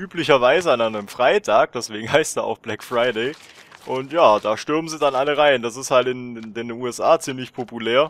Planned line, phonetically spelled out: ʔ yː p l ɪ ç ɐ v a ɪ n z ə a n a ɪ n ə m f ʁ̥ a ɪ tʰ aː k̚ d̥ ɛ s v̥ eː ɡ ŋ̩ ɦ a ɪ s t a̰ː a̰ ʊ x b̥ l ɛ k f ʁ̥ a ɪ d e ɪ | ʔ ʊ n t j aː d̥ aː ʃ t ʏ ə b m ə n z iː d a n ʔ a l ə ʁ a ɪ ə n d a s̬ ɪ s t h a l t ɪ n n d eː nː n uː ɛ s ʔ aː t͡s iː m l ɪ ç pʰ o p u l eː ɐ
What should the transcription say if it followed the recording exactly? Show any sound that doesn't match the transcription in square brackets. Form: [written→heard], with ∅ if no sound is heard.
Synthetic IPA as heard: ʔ yː p l ɪ ç ɐ v a ɪ [n→∅] z ə a n a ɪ n ə m f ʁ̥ a ɪ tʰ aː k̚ d̥ ɛ s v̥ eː ɡ ŋ̩ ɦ a ɪ s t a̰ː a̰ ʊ x b̥ l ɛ k f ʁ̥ a ɪ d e ɪ | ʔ ʊ n t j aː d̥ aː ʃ t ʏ [ə→ɐ] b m ə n z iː d a n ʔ a l ə ʁ a ɪ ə n d a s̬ ɪ s t h a l t ɪ n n d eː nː n uː ɛ s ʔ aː t͡s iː m l ɪ ç pʰ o p u l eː ɐ